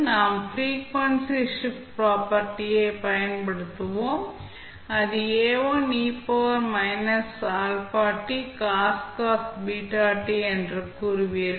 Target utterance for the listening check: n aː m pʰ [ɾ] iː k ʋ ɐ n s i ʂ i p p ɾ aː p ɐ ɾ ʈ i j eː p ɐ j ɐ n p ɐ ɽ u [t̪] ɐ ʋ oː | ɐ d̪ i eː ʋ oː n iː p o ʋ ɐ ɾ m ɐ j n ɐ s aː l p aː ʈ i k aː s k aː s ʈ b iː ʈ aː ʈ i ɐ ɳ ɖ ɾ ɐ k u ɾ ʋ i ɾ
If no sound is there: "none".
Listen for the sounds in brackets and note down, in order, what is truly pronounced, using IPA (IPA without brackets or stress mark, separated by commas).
ɾ, t̪